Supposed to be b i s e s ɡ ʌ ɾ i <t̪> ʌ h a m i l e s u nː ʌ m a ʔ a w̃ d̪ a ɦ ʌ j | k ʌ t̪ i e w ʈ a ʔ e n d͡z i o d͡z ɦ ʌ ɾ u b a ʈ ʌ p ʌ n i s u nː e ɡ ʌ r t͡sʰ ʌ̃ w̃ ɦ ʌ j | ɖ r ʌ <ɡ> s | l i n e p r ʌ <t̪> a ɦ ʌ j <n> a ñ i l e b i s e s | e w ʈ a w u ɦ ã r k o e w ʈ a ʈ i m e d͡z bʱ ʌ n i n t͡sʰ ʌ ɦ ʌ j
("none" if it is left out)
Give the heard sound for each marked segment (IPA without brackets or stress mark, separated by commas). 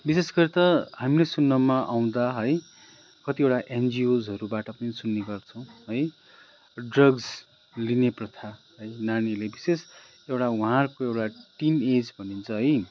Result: t̪, ɡ, t̪ʰ, n